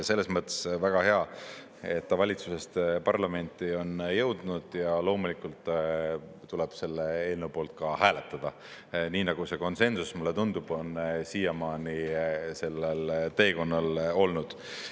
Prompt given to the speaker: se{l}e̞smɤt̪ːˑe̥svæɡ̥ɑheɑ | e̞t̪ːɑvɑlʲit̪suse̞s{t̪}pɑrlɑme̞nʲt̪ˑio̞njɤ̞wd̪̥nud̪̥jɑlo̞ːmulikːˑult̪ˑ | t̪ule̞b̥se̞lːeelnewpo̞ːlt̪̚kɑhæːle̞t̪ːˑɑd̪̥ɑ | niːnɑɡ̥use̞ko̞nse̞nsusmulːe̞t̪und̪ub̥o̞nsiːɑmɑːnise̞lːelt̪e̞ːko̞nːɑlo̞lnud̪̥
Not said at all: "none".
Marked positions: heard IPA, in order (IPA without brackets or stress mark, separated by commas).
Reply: lː, t̪